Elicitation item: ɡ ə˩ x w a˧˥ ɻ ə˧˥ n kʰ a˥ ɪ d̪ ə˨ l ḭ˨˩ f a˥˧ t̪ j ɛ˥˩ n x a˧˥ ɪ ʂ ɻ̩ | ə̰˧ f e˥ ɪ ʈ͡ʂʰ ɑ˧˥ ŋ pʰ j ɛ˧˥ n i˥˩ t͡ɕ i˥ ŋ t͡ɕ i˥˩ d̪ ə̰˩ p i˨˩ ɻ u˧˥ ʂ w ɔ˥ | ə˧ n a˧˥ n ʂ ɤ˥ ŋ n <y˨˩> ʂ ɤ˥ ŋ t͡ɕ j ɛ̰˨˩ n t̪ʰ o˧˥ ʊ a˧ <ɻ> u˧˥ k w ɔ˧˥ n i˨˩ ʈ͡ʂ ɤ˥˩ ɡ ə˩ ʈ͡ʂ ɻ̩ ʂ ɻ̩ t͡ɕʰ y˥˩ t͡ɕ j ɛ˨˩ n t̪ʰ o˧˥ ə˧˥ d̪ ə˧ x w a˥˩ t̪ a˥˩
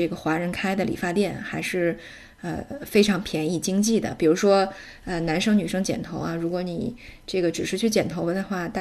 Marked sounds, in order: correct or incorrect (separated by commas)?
correct, correct